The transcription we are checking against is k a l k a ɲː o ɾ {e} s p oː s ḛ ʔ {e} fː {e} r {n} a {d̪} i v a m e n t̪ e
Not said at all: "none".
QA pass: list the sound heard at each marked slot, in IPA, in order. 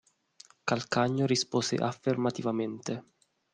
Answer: i, a, e, m, t̪

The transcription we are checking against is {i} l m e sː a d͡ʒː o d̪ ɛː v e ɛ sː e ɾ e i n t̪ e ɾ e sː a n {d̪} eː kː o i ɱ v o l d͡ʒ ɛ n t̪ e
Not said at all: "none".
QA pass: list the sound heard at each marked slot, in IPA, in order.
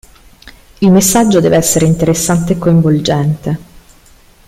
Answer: i, t̪

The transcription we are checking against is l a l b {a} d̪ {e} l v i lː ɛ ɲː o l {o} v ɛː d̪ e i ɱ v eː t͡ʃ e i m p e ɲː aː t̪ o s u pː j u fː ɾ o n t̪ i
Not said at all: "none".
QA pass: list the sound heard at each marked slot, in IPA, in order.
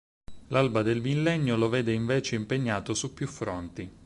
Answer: a, e, o

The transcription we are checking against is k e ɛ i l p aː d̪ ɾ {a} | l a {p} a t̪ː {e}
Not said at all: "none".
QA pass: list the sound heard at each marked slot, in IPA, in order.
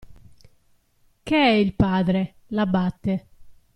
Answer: e, b, e

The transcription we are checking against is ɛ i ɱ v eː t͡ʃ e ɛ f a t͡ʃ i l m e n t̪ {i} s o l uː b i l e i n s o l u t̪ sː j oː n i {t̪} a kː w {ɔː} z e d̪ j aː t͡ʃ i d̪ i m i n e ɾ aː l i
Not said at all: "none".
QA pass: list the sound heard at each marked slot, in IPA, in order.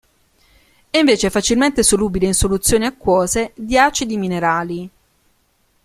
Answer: e, none, ɔː

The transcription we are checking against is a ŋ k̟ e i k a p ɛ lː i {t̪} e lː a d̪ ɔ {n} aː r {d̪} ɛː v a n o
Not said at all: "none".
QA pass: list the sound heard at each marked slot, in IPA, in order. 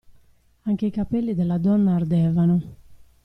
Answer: d̪, nː, d̪

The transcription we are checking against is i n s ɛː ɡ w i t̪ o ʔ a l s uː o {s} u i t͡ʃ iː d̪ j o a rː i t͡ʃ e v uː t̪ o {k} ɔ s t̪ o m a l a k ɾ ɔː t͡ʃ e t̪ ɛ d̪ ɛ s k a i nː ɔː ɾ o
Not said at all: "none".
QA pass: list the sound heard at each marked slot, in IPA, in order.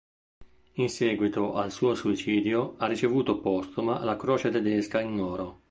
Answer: s, p

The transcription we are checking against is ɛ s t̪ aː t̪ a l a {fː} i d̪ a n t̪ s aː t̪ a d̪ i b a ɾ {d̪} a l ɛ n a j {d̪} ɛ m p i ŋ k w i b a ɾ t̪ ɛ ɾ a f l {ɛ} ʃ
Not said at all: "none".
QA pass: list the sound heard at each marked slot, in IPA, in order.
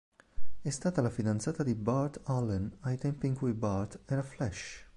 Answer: f, t̪, t̪, ɛ

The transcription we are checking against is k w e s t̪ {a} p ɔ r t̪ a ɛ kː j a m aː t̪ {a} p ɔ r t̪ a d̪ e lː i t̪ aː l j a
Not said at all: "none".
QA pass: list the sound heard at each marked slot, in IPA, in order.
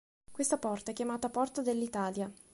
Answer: a, a

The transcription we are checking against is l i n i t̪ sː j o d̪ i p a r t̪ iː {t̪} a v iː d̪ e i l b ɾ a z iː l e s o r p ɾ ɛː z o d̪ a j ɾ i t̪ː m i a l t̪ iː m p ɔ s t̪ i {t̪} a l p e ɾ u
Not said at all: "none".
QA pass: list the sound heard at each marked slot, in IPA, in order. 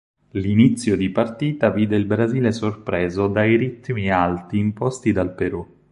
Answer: t̪, d̪

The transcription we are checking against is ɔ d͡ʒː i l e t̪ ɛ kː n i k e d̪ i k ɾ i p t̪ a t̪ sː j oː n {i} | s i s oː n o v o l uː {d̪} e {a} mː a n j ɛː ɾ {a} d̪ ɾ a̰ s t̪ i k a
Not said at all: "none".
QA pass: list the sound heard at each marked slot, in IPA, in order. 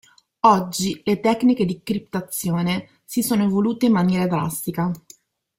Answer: e, t̪, i, a

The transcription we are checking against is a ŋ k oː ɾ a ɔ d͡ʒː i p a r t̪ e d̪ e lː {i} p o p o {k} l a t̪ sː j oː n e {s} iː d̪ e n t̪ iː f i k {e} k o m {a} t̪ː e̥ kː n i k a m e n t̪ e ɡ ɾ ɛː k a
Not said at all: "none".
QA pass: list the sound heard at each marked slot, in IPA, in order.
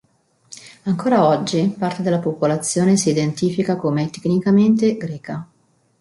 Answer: a, none, s, a, e

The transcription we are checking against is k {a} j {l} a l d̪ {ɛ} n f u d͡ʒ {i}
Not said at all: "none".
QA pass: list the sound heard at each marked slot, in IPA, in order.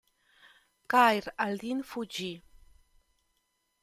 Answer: a, ɾ, i, i

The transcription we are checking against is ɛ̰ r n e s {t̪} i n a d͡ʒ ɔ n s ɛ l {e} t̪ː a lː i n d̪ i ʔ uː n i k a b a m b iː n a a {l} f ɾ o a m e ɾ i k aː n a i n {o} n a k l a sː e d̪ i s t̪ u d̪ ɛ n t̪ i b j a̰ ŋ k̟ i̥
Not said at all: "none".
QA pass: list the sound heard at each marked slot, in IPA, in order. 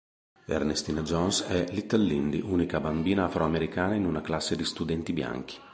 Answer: t̪, i, none, u

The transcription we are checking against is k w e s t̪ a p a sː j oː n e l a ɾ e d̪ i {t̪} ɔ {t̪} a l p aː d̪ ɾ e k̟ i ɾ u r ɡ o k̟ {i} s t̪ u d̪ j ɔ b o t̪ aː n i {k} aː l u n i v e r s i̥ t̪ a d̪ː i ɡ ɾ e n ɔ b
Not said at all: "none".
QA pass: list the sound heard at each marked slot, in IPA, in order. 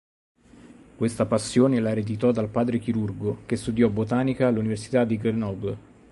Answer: t̪, d̪, e, k

